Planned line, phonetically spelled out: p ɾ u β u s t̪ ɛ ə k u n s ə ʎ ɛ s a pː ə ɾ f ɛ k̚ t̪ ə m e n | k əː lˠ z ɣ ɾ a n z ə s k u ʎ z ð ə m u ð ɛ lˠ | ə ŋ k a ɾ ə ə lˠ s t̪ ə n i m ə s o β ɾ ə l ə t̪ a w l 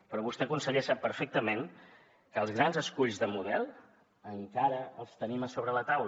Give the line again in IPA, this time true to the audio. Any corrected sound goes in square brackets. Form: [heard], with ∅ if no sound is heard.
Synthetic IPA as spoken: p ɾ [ɔ] β u s t̪ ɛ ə k u n s ə ʎ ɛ s a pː ə ɾ f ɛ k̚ t̪ ə m e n | k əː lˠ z ɣ ɾ a n z ə s k u ʎ z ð ə m u ð ɛ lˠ | ə ŋ k a ɾ ə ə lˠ s t̪ ə n i m ə s o β ɾ ə l ə t̪ a w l